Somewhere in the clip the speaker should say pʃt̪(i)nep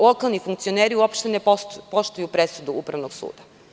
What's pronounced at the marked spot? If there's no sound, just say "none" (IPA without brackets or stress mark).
e